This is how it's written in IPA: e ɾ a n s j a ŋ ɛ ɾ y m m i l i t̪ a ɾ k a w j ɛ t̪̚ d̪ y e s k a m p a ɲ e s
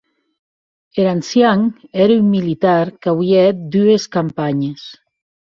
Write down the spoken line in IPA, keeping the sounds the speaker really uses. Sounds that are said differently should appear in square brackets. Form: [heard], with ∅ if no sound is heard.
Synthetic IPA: e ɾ a n s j a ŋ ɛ ɾ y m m i l i t̪ a ɾ k a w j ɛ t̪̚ d̪ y e s k a m p a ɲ e s